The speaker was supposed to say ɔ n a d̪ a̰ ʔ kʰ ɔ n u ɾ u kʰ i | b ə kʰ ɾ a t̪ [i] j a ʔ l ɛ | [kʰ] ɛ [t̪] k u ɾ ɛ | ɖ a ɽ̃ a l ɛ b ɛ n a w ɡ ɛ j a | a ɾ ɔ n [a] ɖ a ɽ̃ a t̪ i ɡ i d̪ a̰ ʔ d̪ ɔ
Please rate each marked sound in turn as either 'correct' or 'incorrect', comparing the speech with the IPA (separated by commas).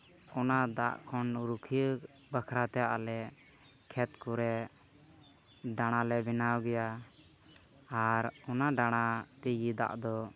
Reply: incorrect, correct, correct, correct